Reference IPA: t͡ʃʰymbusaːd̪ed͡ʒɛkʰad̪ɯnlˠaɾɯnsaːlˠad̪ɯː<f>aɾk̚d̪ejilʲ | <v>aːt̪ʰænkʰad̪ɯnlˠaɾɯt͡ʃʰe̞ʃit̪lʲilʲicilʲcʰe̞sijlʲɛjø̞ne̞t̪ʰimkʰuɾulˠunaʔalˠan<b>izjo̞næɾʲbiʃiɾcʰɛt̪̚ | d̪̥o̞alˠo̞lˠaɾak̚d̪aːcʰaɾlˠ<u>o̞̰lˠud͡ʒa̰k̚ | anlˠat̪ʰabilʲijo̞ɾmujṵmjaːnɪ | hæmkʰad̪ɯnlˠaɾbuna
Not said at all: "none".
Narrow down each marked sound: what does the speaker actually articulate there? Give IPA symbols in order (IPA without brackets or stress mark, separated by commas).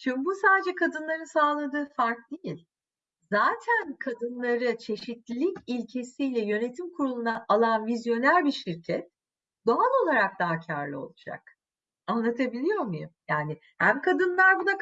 f, z, v, ɯ